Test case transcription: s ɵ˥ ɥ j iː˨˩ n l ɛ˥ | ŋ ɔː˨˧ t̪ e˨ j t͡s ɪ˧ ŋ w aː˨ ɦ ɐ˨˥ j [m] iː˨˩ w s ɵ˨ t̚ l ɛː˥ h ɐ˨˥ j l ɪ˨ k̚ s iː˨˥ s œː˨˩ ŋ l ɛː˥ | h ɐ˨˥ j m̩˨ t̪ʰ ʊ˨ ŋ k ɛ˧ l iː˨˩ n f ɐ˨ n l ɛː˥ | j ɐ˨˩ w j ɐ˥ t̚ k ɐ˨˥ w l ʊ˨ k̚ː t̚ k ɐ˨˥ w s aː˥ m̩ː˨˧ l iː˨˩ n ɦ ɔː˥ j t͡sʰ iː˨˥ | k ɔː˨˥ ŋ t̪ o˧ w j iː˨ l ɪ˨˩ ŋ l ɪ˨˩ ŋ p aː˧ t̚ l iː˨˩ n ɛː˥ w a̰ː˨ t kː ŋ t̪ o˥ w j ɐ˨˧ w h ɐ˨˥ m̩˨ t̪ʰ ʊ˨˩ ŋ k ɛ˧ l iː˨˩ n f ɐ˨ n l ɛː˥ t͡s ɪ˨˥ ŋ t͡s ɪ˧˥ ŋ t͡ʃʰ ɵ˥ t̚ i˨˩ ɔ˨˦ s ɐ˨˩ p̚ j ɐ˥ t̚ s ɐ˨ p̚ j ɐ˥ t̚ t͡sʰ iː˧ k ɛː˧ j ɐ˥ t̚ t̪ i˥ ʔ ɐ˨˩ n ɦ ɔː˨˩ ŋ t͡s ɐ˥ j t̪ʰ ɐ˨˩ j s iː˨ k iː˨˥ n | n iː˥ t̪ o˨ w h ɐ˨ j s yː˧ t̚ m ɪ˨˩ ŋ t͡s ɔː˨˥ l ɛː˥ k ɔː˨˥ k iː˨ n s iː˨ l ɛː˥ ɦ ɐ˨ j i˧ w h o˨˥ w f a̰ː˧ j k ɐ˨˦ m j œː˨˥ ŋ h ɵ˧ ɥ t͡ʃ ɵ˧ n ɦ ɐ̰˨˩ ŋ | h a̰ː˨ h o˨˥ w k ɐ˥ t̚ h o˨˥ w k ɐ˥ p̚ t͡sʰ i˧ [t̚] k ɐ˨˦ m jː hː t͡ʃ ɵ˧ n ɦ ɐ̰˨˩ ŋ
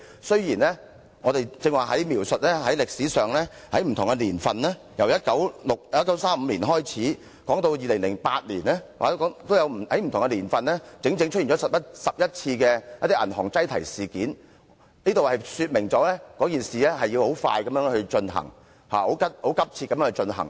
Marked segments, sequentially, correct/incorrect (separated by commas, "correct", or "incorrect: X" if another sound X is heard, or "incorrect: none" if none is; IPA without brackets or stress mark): correct, correct